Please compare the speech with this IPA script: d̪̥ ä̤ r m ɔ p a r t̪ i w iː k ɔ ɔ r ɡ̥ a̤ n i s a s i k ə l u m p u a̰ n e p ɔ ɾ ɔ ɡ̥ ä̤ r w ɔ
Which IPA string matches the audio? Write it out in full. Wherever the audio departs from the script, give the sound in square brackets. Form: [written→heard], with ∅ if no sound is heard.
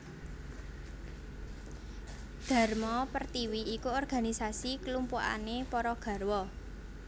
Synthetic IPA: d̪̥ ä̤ r m ɔ p [a→ə] r t̪ i w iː k [ɔ→u] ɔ r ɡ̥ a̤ n i s a s i k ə l u m p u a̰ n e p ɔ ɾ ɔ ɡ̥ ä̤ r w ɔ